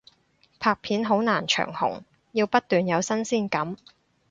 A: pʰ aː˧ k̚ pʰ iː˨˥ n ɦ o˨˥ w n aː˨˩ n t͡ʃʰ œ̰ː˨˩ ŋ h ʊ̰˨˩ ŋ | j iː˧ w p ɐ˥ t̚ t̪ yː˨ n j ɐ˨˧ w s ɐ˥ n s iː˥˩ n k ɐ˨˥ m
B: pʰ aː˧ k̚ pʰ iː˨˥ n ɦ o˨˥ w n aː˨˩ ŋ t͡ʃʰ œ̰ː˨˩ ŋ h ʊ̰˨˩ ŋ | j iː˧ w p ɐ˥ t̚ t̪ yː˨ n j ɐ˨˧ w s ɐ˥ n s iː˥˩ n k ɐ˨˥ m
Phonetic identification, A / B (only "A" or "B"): A